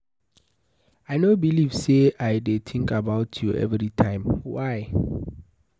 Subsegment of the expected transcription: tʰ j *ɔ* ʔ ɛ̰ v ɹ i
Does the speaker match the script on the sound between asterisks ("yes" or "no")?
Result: no